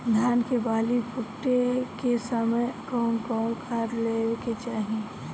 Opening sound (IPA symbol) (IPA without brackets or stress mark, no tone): d̪ʱ